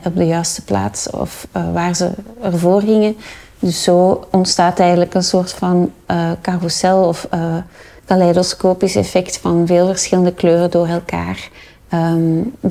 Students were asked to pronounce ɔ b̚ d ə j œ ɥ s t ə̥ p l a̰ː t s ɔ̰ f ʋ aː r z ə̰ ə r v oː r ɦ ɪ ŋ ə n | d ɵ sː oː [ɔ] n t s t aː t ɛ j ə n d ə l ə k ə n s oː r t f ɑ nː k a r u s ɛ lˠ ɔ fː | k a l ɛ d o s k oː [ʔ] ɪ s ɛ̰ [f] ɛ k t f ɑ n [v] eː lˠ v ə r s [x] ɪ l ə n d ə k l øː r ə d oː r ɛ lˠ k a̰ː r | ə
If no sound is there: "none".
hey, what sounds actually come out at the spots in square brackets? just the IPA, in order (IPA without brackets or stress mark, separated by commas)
ɔ, p, f, v, x